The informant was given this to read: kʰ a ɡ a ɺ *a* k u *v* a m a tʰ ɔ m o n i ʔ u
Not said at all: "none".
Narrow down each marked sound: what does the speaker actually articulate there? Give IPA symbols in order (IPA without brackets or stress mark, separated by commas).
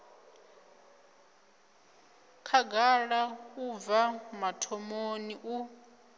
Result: a, v